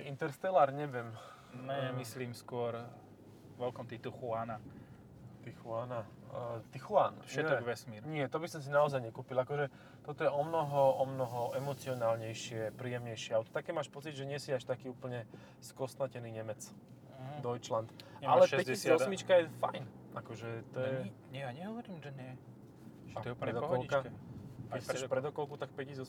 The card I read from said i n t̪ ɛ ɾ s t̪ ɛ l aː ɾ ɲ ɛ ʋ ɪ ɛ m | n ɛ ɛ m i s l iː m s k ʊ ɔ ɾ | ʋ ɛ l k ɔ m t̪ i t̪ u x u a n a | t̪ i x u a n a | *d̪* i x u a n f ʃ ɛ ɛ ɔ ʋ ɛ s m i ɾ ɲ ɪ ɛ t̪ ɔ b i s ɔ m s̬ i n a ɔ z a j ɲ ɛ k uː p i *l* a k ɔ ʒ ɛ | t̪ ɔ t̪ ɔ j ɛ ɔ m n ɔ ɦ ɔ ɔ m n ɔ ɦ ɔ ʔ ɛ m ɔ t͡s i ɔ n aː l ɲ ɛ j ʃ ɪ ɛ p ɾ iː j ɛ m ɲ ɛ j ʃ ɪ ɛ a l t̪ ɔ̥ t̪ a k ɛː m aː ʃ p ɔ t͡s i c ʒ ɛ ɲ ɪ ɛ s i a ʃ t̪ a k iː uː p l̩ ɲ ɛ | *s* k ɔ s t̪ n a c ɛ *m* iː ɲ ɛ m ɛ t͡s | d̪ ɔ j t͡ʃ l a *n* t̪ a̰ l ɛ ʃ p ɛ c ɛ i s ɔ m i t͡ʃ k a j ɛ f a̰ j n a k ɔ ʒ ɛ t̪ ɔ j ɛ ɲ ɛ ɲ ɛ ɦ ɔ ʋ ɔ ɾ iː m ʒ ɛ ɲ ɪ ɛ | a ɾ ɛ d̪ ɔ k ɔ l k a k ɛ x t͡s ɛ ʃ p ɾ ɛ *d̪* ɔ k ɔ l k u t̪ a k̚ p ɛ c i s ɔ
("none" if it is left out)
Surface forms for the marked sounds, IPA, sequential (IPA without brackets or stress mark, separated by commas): t̪, l, s, n, n, d̪